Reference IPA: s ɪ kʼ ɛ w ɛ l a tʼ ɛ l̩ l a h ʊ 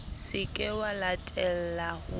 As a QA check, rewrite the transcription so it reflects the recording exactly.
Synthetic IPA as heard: s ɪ kʼ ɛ w a l a tʼ ɛ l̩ l a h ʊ